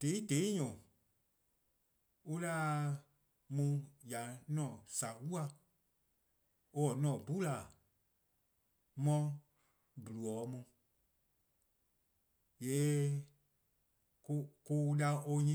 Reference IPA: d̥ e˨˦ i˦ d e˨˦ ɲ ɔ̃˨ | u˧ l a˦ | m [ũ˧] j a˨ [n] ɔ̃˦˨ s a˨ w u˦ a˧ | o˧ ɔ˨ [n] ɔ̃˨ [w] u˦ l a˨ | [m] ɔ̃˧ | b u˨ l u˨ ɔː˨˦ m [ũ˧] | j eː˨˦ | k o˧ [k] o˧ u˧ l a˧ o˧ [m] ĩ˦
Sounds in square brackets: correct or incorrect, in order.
correct, correct, correct, incorrect: b, correct, correct, correct, incorrect: ɲ

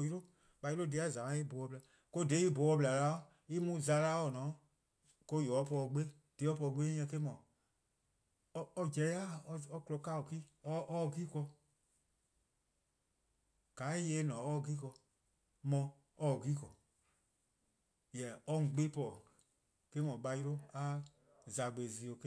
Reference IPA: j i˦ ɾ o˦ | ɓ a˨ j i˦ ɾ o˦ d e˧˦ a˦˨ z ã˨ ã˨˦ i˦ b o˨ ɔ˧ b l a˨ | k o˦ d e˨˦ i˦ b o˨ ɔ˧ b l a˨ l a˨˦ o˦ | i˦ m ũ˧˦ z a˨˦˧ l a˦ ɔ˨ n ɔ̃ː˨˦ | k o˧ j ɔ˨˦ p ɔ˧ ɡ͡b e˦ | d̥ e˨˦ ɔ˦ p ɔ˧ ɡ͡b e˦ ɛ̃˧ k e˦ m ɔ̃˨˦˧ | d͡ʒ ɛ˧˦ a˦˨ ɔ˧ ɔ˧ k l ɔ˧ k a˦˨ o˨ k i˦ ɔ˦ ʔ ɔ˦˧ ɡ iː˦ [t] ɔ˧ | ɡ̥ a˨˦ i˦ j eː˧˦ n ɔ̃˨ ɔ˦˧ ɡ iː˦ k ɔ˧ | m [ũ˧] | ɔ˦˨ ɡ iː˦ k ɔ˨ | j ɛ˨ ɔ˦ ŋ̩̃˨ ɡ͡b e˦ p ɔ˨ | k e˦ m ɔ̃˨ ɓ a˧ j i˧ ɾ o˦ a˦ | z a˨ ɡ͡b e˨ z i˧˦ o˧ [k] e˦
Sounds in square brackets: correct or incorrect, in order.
incorrect: k, incorrect: ɔ̃˧, correct

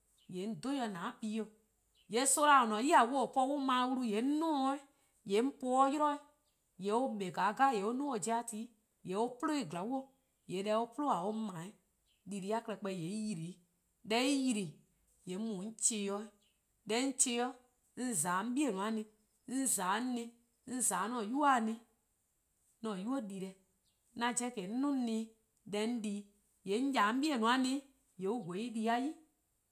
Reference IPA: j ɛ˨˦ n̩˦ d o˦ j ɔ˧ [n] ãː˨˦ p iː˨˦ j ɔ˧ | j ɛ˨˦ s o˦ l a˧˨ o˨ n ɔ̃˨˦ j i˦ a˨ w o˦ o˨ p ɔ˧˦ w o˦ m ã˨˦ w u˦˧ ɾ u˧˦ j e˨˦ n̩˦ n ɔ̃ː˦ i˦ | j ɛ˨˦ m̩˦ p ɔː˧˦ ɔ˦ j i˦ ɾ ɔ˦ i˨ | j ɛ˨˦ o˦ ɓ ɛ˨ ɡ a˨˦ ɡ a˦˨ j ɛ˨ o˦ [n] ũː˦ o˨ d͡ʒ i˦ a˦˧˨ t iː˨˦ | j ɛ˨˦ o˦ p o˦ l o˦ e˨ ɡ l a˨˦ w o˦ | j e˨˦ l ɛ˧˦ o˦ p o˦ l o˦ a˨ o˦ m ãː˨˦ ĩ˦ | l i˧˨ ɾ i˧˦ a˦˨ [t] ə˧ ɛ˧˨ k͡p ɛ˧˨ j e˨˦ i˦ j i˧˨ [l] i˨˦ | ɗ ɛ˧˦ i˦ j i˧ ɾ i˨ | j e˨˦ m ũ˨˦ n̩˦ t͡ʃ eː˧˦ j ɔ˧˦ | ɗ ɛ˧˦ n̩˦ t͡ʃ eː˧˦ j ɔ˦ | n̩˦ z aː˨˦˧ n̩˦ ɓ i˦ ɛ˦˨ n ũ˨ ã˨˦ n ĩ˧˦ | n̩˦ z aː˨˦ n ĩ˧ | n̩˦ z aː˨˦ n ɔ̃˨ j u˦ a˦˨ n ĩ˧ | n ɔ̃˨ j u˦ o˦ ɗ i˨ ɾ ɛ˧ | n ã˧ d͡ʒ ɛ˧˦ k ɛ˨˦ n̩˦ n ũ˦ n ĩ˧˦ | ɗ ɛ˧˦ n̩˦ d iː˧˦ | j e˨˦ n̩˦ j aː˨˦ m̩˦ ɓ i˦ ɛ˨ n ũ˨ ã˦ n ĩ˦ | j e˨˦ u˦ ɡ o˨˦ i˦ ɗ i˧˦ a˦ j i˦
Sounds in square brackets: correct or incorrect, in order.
correct, correct, incorrect: k, incorrect: ɾ

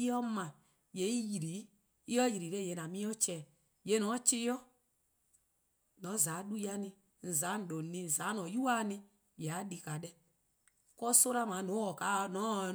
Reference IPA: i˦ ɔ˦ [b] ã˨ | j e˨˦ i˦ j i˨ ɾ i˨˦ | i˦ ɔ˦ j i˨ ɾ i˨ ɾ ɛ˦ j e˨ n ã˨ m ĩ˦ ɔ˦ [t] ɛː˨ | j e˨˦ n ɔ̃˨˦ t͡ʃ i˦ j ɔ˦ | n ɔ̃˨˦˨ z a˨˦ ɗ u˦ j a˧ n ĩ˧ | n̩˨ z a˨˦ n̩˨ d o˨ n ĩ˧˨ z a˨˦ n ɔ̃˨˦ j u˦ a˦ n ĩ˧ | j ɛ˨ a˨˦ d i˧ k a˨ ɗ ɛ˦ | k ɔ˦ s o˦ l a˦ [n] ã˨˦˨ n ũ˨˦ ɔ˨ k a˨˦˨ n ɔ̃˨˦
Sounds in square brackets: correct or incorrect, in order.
incorrect: m, incorrect: t͡ʃ, incorrect: m

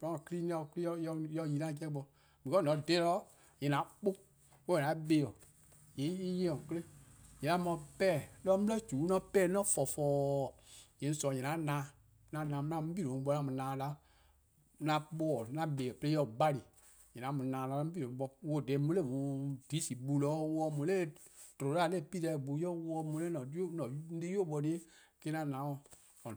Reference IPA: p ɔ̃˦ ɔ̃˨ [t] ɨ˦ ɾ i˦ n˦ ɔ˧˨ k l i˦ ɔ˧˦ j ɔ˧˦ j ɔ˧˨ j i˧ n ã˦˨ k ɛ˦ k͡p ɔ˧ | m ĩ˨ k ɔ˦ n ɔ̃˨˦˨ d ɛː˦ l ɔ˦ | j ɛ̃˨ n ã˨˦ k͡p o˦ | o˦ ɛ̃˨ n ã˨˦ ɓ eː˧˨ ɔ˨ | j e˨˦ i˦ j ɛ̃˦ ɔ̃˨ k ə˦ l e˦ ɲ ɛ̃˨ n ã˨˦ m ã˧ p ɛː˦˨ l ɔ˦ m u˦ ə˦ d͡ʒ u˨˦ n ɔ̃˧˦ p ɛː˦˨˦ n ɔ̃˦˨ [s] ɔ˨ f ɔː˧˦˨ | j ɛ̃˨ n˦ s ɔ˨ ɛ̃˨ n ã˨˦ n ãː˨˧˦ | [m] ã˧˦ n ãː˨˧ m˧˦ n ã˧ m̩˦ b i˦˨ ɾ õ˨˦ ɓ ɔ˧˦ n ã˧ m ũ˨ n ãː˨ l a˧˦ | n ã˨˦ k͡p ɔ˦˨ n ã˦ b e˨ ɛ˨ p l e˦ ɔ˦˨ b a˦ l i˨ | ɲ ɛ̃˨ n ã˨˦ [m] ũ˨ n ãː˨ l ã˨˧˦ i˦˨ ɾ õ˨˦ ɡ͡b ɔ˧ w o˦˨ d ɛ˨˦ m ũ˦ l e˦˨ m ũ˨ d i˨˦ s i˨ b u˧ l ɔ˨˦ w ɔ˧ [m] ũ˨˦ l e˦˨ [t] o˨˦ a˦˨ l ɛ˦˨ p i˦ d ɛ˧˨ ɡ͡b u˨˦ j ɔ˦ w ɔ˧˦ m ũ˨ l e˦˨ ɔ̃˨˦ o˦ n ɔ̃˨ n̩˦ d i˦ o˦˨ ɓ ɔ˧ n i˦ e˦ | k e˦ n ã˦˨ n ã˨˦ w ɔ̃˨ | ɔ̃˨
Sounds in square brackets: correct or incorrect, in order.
incorrect: k, incorrect: f, incorrect: n, correct, correct, correct

